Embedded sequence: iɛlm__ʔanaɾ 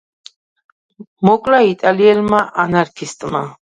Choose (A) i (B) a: B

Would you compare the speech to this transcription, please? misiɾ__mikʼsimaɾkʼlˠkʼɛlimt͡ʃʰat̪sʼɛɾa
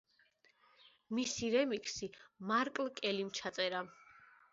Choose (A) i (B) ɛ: B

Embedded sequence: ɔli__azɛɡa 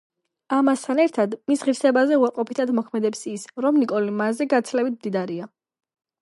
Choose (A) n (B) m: B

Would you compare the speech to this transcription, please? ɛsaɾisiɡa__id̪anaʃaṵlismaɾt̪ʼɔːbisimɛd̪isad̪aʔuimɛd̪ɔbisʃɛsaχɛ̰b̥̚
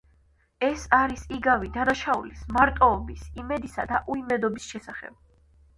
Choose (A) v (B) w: A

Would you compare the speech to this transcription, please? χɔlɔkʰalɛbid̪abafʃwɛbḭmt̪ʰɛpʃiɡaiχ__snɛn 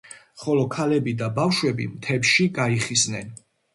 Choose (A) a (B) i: B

